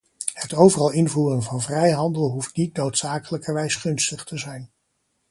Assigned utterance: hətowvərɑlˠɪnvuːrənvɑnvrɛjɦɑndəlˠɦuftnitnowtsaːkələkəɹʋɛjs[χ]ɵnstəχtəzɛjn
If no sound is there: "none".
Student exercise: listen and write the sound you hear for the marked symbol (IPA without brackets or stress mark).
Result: χ